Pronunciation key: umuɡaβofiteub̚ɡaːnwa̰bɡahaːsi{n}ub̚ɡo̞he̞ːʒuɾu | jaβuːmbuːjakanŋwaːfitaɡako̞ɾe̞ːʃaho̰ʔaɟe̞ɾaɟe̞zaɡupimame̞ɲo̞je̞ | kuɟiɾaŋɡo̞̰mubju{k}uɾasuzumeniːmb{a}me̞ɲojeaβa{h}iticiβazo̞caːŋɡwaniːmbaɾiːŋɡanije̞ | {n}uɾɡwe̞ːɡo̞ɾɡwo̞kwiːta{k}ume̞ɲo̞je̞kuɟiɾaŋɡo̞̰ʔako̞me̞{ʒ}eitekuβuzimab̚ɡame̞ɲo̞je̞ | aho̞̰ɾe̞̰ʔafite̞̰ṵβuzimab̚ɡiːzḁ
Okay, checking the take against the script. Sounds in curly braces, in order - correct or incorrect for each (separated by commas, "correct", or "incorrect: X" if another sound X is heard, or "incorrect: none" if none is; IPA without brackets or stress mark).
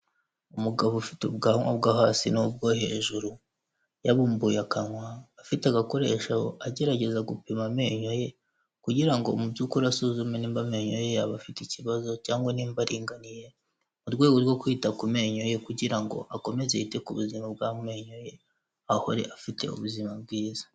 correct, correct, correct, incorrect: f, incorrect: m, correct, incorrect: z